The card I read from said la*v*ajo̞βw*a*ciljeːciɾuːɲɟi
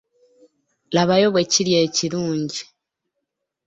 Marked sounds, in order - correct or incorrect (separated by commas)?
incorrect, incorrect